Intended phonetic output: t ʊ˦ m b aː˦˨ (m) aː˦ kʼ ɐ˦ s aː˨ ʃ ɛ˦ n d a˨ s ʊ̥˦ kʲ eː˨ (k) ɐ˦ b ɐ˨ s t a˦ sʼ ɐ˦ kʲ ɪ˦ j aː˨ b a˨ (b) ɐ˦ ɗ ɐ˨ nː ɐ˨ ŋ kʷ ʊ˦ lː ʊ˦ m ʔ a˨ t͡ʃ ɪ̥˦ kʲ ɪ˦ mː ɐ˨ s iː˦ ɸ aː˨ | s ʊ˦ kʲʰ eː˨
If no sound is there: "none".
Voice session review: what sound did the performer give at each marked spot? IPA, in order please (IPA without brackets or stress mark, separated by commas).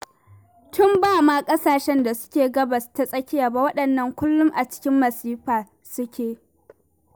m, ɡ, w